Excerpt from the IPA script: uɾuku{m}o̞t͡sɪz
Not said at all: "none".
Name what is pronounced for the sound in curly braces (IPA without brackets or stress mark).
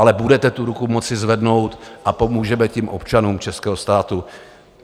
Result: m